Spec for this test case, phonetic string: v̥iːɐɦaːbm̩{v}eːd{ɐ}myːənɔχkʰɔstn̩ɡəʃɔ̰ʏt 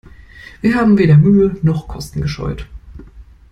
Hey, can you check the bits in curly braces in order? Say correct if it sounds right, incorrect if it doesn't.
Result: correct, correct

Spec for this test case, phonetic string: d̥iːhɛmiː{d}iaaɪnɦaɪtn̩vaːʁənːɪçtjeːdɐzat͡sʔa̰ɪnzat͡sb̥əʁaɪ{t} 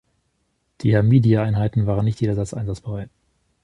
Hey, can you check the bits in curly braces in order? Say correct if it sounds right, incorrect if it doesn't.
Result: correct, correct

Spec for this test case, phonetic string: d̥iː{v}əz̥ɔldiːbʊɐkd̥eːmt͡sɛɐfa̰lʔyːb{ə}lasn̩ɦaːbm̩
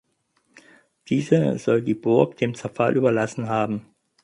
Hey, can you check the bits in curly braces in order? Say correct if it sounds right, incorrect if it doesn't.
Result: incorrect: z, incorrect: ɐ

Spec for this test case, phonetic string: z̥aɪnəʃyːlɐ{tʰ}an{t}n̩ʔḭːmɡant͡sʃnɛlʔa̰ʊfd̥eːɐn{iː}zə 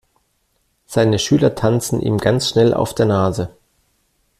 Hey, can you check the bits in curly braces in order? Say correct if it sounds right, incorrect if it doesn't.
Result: correct, incorrect: t͡s, incorrect: aː

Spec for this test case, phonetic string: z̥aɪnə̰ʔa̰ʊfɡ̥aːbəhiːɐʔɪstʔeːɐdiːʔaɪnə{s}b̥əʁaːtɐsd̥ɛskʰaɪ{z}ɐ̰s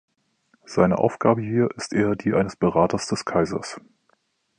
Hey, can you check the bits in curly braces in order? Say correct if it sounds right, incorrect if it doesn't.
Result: correct, correct

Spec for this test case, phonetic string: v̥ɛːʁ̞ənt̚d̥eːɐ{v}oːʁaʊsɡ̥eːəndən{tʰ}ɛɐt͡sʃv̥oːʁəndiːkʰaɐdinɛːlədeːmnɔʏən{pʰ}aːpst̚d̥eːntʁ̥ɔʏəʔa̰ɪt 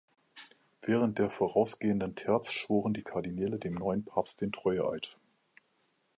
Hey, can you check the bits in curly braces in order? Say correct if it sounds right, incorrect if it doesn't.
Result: incorrect: f, correct, correct

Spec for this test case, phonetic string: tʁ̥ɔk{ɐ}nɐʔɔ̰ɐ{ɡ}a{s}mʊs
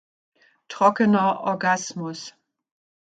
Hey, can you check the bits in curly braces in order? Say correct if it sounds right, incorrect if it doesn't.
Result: incorrect: ə, correct, correct

